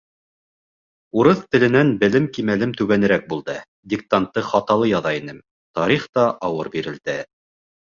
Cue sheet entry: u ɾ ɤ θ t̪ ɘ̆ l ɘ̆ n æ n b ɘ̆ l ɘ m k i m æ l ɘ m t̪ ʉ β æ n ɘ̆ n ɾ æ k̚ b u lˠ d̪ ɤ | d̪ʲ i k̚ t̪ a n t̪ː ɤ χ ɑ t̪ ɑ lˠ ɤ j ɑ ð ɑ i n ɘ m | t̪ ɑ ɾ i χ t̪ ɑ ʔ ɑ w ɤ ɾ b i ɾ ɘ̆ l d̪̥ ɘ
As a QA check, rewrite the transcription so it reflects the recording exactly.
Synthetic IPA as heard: u ɾ ɤ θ t̪ ɘ̆ l ɘ̆ n æ n b ɘ̆ l ɘ m k i m æ l ɘ m t̪ ʉ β æ n ɘ̆ ɾ æ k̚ b u lˠ d̪ ɤ | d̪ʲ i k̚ t̪ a n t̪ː ɤ χ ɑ t̪ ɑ lˠ ɤ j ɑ ð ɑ i n ɘ m | t̪ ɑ ɾ i χ t̪ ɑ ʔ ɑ w ɤ ɾ b i ɾ ɘ̆ l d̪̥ ɘ